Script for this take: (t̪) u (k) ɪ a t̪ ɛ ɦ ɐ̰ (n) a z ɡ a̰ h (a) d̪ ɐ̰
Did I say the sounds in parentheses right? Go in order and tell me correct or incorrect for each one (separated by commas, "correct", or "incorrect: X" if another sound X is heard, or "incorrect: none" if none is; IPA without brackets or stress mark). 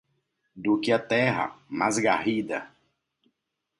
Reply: incorrect: d̪, correct, incorrect: m, incorrect: i